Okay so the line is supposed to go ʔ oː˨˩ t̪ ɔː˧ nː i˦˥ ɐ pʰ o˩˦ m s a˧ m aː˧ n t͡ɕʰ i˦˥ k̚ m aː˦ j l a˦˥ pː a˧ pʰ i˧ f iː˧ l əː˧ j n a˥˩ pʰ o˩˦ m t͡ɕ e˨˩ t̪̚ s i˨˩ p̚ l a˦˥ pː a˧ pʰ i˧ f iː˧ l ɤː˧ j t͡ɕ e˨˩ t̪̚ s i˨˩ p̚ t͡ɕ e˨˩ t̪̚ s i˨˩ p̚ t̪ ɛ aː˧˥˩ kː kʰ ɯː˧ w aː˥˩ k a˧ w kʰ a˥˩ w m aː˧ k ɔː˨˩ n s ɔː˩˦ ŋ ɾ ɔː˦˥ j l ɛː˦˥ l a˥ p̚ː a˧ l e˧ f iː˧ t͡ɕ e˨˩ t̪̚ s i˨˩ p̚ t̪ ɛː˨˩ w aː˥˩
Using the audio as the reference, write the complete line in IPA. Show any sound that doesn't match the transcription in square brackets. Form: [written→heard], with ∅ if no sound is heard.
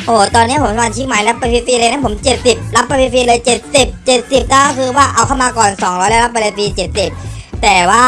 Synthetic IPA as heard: ʔ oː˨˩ t̪ ɔː˧ nː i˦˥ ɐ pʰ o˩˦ m s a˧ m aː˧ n t͡ɕʰ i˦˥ k̚ m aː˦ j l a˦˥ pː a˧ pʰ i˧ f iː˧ l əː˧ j n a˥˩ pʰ o˩˦ m t͡ɕ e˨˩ t̪̚ s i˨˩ p̚ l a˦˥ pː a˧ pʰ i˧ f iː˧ l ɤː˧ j t͡ɕ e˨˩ t̪̚ s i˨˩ p̚ t͡ɕ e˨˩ t̪̚ s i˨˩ p̚ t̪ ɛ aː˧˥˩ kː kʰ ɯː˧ w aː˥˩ [k→ʔ] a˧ w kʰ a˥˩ w m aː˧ k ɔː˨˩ n s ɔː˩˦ ŋ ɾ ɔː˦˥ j l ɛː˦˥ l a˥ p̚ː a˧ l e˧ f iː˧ t͡ɕ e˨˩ t̪̚ s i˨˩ p̚ t̪ ɛː˨˩ w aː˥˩